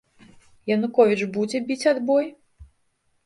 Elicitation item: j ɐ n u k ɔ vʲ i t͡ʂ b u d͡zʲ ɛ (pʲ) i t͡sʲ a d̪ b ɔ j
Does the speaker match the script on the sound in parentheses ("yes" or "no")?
no